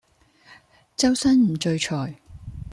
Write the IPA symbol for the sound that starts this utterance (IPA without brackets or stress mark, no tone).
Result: t͡s